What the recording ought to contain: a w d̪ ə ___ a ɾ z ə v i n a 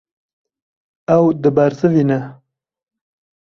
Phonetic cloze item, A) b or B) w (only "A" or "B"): A